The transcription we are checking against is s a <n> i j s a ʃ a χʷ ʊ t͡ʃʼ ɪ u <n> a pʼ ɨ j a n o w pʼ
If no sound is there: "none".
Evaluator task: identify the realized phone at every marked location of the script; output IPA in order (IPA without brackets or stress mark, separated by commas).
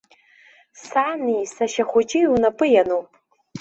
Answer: n, n